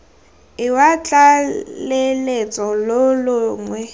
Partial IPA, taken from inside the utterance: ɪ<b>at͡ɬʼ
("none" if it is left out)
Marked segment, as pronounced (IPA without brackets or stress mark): w